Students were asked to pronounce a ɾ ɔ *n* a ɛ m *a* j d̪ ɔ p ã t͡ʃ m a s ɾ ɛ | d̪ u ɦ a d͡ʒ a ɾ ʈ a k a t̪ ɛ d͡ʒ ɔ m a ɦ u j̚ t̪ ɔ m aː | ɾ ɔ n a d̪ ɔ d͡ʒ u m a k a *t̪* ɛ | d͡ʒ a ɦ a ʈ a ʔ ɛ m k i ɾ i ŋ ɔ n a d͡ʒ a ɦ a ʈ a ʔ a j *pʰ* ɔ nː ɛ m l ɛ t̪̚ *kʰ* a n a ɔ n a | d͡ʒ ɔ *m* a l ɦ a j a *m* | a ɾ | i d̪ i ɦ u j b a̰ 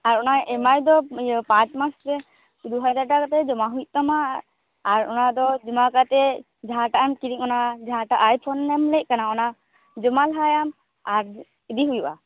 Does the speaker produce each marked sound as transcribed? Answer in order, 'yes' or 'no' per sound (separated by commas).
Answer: yes, yes, yes, yes, no, yes, yes